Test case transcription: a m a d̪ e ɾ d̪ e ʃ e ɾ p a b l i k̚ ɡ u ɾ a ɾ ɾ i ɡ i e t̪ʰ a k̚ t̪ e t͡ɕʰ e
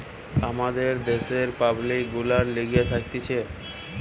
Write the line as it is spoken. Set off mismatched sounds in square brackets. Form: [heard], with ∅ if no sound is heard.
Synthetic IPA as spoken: a m a d̪ e ɾ d̪ e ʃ e ɾ p a b l i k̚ ɡ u [l] a ɾ [l] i ɡ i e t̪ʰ a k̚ t̪ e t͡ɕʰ e